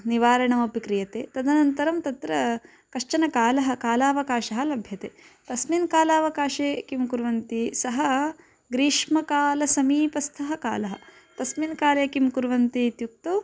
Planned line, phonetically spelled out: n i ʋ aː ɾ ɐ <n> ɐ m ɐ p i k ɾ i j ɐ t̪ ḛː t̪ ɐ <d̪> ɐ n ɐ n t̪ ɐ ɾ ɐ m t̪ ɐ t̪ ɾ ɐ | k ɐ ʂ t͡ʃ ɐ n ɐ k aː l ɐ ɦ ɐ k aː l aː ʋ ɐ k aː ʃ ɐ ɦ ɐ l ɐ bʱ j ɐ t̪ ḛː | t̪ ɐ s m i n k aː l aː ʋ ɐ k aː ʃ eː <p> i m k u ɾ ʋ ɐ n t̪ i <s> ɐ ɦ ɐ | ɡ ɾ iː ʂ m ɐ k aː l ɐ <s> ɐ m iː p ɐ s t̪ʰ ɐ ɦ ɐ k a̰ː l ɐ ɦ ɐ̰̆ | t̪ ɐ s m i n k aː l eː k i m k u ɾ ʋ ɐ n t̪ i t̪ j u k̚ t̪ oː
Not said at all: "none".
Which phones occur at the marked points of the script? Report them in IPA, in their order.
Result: ɳ, d̪, k, s, s

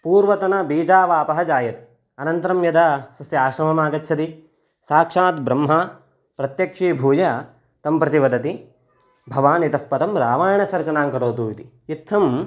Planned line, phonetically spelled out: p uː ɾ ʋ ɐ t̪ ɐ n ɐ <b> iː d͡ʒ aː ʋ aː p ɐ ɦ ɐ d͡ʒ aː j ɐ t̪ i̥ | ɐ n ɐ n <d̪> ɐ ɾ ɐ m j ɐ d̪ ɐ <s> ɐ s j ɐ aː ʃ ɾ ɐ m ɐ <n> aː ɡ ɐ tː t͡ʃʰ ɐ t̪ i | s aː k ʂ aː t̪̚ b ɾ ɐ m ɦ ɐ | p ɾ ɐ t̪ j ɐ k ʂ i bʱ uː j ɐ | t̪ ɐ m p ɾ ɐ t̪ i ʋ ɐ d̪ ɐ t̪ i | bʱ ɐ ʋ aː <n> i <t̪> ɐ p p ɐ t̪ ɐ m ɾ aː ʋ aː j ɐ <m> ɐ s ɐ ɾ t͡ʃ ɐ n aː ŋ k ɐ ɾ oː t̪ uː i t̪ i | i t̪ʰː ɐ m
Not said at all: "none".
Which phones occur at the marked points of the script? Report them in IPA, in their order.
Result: b, t̪, s, m, n, t̪, ɳ

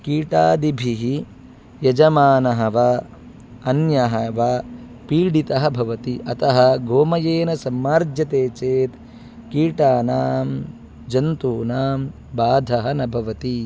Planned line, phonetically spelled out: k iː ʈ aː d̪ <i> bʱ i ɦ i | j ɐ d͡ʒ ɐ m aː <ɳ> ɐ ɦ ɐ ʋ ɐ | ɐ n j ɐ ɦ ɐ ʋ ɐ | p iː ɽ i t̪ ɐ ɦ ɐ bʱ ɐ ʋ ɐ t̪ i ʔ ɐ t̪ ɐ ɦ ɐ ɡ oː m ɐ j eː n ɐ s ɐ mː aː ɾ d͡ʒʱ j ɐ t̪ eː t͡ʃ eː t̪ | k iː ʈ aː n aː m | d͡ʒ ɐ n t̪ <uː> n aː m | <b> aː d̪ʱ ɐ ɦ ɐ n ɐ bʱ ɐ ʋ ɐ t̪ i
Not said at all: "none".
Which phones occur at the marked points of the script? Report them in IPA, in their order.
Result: i, n, uː, b

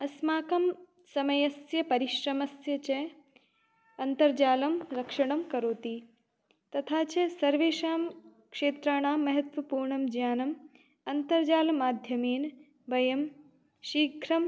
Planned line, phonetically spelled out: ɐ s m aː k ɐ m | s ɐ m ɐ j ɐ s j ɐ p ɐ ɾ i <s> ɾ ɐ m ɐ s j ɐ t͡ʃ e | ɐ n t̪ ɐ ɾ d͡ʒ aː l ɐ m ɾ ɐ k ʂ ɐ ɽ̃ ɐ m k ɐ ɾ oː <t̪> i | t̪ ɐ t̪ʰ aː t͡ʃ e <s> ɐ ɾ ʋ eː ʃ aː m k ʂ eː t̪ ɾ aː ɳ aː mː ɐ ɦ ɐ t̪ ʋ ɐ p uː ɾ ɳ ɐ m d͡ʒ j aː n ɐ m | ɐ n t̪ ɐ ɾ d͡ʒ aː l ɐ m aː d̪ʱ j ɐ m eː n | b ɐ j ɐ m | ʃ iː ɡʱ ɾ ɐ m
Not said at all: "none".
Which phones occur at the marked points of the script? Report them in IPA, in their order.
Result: ʃ, t̪, s

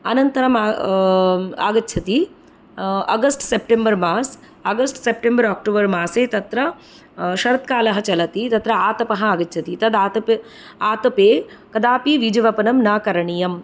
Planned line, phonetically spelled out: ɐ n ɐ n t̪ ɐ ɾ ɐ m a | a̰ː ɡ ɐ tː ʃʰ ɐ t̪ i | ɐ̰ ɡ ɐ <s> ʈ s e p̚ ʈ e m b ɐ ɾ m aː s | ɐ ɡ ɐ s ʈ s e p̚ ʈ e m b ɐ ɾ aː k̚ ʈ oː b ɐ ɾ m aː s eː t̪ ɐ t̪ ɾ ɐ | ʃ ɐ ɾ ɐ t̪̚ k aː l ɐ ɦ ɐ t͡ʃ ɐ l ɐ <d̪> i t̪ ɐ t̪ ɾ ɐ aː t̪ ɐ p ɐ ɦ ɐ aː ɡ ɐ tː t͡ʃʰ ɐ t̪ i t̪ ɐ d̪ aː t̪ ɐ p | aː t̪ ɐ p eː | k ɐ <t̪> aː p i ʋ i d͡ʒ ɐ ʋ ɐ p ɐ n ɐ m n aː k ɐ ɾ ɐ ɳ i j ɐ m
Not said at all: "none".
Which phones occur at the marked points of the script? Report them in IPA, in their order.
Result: s, t̪, d̪

